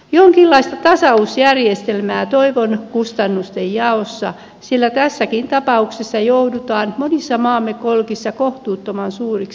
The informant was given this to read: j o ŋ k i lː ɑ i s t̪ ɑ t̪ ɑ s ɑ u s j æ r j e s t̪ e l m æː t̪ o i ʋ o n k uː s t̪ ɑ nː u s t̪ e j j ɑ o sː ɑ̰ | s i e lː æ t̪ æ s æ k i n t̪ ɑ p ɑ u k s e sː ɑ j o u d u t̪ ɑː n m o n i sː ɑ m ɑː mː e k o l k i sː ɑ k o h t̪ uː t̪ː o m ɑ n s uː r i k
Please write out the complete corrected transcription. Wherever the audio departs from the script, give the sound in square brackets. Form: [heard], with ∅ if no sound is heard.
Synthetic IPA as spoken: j o ŋ k i lː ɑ i s t̪ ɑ t̪ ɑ s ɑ u s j æ r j e s t̪ e l m æː t̪ o i ʋ o n k [u] s t̪ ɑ nː u s t̪ e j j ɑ o sː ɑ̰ | s i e lː æ t̪ æ [sː] æ k i n t̪ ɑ p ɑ u k s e sː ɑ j o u d u t̪ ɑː n m o n i sː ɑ m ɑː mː e k o l k i sː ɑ k o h t̪ uː t̪ː o m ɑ n s uː r i k